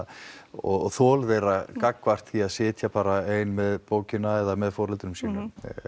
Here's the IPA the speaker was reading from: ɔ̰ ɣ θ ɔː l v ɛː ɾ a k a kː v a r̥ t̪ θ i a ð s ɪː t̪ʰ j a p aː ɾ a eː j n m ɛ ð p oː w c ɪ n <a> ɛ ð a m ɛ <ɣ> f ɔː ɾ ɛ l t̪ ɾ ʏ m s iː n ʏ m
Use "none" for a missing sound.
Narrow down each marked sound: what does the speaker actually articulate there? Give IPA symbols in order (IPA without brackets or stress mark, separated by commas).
a, ð